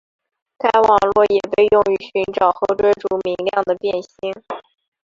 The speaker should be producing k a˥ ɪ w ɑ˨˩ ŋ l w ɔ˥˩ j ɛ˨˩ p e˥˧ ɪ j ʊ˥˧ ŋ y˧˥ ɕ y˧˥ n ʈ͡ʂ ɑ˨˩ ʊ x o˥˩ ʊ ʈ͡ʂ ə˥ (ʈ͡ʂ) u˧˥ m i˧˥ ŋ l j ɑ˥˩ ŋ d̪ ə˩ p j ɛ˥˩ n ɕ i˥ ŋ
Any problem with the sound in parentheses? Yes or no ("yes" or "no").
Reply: no